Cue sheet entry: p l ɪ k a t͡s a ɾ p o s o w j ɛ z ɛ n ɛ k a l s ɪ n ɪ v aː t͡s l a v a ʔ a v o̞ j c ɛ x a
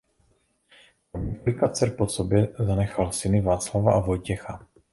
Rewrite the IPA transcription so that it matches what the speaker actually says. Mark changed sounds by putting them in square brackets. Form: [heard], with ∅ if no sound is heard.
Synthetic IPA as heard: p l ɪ k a t͡s [ɛ] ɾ p o s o [b] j ɛ z [a] n ɛ [x] a l s ɪ n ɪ v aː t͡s l a v a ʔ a v o̞ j c ɛ x a

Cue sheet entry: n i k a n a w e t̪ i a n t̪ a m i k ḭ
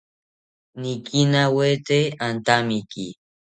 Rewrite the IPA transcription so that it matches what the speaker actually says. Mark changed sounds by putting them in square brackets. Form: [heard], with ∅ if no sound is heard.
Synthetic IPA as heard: n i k [i] n a w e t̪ [e] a n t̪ a m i k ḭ

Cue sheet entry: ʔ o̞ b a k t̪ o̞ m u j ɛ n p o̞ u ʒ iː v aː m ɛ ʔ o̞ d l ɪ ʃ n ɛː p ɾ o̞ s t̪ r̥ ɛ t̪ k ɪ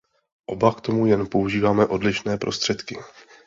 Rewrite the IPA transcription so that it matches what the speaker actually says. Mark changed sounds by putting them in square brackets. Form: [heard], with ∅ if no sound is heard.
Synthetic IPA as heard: ʔ o̞ b a k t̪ o̞ m u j ɛ n p o̞ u ʒ iː v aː m ɛ ʔ o̞ d l ɪ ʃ n ɛː p ɾ o̞ s t̪ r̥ ɛ t̪ k ɪ

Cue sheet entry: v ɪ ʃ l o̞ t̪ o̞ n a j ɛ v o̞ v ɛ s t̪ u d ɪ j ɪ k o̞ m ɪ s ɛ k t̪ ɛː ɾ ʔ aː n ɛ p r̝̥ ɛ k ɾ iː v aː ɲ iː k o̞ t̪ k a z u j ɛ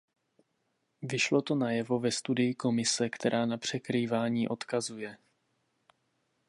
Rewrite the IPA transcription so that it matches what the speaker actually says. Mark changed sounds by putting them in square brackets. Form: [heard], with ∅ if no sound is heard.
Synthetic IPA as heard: v ɪ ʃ l o̞ t̪ o̞ n a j ɛ v o̞ v ɛ s t̪ u d ɪ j ɪ k o̞ m ɪ s ɛ k t̪ [ɛ] ɾ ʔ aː n [a] p r̝̥ ɛ k ɾ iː v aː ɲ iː [ʔ] o̞ t̪ k a z u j ɛ

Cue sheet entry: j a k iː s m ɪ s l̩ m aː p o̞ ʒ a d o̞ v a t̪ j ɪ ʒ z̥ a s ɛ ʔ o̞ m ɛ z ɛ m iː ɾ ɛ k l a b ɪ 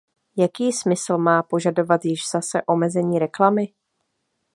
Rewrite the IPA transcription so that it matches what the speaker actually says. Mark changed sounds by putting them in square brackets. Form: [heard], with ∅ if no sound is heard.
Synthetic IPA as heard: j a k iː s m ɪ s l̩ m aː p o̞ ʒ a d o̞ v a t̪ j ɪ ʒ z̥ a s ɛ ʔ o̞ m ɛ z ɛ [ɲ] iː ɾ ɛ k l a [m] ɪ

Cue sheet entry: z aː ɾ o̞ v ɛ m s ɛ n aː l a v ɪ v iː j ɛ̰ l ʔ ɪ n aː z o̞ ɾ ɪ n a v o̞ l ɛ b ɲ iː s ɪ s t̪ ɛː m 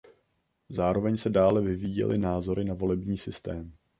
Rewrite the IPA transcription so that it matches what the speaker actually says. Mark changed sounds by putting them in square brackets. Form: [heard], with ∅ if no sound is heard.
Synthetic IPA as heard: z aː ɾ o̞ v ɛ [ɲ] s ɛ [d] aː l [ɛ] v ɪ v iː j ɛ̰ l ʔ ɪ n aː z o̞ ɾ ɪ n a v o̞ l ɛ b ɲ iː s ɪ s t̪ ɛː m

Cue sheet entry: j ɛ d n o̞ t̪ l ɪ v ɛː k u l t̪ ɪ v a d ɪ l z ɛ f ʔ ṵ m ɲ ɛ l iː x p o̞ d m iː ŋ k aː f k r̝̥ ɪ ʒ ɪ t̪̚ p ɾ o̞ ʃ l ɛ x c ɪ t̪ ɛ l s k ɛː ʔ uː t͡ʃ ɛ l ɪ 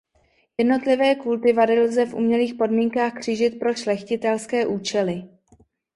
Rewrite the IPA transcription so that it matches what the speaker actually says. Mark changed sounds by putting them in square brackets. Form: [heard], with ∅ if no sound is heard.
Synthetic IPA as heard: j ɛ d n o̞ t̪ l ɪ v ɛː k u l t̪ ɪ v a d ɪ l z ɛ f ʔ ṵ m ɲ ɛ l iː x p o̞ d m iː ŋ k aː [x] k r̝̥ ɪ ʒ ɪ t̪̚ p ɾ o̞ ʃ l ɛ x c ɪ t̪ ɛ l s k ɛː ʔ uː t͡ʃ ɛ l ɪ

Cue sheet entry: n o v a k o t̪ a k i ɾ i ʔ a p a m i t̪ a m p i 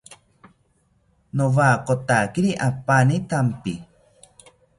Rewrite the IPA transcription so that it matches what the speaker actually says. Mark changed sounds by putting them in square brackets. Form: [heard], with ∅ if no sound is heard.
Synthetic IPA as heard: n o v a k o t̪ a k i ɾ i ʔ a p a [n] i t̪ a m p i

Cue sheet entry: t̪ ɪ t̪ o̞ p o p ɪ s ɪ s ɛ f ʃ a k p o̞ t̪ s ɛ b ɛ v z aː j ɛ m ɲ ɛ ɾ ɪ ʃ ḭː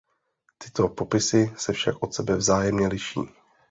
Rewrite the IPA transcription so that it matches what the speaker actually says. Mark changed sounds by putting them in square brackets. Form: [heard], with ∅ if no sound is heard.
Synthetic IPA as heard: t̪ ɪ t̪ o̞ p o p ɪ s ɪ s ɛ f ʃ a k [ʔ] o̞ t̪ s ɛ b ɛ v z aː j ɛ m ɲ ɛ [l] ɪ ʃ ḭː

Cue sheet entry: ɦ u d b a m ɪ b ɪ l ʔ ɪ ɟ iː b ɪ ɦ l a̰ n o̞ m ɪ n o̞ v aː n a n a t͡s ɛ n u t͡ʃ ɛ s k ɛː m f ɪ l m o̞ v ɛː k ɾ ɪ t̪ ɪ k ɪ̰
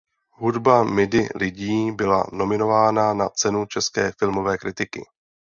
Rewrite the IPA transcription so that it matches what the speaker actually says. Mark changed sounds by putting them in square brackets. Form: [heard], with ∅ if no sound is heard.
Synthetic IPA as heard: ɦ u d b a m ɪ [d] ɪ l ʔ ɪ ɟ iː b ɪ [∅] l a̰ n o̞ m ɪ n o̞ v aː n a n a t͡s ɛ n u t͡ʃ ɛ s k ɛː [∅] f ɪ l m o̞ v ɛː k ɾ ɪ t̪ ɪ k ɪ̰

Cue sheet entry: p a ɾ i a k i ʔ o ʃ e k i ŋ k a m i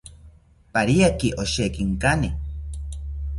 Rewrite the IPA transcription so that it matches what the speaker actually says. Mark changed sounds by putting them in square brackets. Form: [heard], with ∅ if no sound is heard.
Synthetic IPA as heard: p a ɾ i a k i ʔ o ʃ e k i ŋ k a [n] i

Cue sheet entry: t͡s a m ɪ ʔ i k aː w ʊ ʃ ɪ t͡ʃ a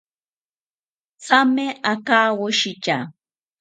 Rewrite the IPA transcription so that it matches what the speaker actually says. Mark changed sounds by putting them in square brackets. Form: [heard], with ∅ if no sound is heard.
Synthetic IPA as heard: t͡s a m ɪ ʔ [a] k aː w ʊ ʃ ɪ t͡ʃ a

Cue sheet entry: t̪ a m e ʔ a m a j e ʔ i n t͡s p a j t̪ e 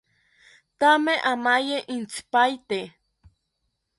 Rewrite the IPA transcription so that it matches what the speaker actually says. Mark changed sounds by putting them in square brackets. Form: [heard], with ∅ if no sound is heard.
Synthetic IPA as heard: t̪ a m e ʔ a m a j e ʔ i n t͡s p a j t̪ e

